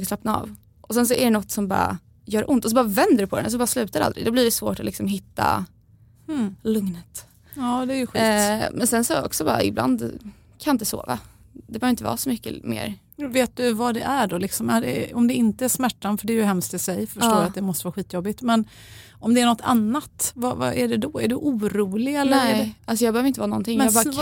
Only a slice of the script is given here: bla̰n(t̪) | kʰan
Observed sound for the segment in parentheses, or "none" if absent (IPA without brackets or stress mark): d̪